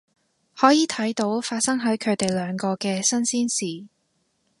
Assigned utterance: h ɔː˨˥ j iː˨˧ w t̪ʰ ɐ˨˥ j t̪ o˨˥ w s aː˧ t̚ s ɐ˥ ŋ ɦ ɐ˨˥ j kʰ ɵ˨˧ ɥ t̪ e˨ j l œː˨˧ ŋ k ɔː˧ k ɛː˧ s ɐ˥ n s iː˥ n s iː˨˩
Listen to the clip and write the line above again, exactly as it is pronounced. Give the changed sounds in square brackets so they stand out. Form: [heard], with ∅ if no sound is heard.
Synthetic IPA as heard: h ɔː˨˥ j iː˨˧ [∅] t̪ʰ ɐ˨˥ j t̪ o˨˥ w [f] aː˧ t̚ s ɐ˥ ŋ ɦ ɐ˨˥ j kʰ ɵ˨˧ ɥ t̪ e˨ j l œː˨˧ ŋ k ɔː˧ k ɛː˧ s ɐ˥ n s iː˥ n s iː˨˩